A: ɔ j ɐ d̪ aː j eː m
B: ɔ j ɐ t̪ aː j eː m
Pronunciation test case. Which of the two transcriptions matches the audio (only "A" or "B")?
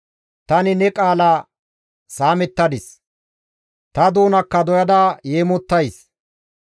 A